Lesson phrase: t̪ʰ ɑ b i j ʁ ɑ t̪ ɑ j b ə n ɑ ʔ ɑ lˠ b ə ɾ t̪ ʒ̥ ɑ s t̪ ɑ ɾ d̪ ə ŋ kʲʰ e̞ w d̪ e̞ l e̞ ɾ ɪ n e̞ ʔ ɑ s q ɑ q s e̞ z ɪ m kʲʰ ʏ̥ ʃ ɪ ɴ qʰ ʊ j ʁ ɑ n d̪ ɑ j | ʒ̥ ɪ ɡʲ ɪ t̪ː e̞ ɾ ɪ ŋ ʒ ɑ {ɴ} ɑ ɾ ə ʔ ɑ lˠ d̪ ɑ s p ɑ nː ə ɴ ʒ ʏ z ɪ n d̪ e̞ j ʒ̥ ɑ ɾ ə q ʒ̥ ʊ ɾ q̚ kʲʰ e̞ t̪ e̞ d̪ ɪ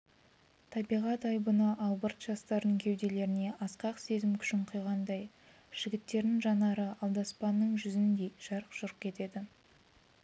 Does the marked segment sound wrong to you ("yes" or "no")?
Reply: yes